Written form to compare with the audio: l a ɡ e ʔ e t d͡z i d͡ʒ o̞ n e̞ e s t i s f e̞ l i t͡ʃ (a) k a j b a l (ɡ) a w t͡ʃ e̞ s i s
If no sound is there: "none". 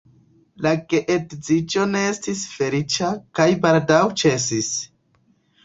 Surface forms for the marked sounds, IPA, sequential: a, d

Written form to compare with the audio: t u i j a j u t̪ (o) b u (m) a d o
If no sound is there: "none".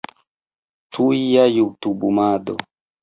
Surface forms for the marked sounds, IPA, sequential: u, m

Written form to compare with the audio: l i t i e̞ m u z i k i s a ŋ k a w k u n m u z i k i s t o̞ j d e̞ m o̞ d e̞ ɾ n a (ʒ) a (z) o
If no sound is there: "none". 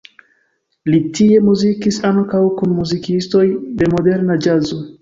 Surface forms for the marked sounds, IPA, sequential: d͡ʒ, z

